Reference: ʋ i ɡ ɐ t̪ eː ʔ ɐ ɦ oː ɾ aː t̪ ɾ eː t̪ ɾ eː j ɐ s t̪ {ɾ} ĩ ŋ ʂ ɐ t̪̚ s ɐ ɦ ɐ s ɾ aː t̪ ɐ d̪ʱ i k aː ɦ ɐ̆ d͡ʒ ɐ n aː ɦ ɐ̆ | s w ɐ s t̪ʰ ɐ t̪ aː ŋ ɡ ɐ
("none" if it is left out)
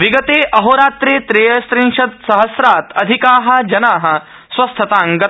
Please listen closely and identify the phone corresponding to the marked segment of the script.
ɾ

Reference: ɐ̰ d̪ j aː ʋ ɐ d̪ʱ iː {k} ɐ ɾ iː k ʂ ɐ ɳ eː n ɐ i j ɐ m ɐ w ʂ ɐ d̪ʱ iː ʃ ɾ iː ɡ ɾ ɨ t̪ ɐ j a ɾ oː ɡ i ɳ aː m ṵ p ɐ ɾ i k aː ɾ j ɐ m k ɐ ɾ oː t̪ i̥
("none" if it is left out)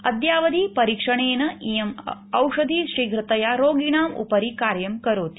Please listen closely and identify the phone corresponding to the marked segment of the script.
p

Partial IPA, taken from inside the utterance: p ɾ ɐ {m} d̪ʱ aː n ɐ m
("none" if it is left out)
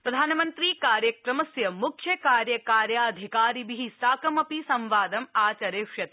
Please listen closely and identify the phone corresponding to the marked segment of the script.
none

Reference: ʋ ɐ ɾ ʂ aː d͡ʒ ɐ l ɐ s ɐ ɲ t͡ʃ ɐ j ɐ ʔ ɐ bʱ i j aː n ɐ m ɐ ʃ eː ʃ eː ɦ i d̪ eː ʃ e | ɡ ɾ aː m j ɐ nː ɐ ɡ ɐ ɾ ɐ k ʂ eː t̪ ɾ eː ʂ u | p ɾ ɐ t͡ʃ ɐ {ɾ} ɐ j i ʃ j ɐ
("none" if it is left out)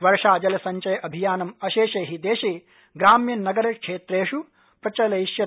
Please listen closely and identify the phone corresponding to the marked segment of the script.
l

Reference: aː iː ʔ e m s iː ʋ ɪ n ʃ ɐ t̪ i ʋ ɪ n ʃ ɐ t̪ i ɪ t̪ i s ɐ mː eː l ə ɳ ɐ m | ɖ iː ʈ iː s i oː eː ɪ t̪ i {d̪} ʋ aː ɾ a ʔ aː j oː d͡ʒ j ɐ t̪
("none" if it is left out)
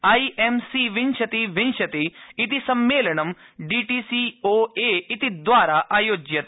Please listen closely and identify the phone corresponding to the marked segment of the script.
d̪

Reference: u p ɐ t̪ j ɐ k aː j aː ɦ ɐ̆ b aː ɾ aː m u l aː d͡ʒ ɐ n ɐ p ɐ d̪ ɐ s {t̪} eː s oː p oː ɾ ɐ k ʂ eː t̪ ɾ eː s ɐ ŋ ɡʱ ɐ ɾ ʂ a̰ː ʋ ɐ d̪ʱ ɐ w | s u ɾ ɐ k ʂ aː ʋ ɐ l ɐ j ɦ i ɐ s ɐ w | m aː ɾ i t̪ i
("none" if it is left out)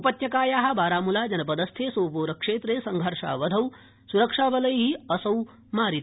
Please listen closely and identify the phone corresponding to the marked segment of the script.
t̪ʰ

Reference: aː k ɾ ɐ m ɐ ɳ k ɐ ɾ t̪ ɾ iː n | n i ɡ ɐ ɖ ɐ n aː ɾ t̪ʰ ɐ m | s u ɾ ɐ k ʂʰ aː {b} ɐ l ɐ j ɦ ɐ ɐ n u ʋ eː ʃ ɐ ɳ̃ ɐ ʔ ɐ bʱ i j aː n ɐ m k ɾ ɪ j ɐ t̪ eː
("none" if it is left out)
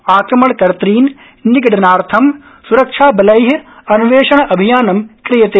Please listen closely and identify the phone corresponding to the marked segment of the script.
b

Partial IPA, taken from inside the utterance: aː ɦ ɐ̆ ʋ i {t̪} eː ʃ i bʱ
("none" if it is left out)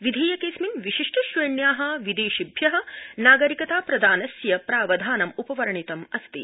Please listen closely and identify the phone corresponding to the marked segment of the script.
d̪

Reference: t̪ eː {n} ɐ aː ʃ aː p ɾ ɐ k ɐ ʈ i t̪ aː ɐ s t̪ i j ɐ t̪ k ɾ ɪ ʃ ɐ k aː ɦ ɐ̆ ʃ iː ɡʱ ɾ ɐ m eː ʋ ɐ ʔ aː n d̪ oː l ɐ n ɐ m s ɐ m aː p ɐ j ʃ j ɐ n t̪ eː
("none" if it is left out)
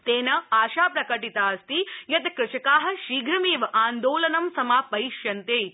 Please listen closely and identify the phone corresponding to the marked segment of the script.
n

